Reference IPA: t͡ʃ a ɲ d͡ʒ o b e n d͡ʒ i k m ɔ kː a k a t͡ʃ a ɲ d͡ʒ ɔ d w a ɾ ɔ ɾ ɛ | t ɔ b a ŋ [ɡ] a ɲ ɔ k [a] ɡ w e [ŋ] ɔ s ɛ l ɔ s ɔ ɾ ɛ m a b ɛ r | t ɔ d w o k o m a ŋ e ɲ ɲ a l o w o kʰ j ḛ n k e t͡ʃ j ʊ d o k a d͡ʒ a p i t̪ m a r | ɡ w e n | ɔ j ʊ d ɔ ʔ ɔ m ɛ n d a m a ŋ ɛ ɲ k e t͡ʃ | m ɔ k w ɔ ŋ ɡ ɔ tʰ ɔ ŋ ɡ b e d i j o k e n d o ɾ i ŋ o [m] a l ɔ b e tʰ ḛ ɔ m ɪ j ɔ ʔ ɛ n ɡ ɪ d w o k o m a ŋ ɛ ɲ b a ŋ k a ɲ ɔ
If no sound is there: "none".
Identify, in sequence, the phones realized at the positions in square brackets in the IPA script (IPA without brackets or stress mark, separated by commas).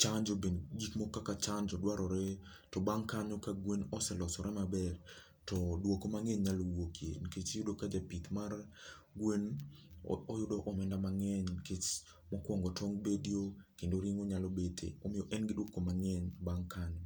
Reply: k, a, n, ɲ